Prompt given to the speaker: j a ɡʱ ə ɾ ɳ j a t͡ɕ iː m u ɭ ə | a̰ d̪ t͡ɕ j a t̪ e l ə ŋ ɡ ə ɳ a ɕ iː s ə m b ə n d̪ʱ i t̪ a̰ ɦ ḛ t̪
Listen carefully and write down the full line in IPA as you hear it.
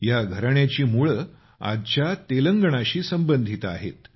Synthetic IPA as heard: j a ɡʱ ə ɾ ɳ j a t͡ɕ iː m u ɭ ə | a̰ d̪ t͡ɕ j a t̪ e l ə ŋ ɡ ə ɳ a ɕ iː s ə m b ə n d̪ʱ i t̪ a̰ ɦ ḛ t̪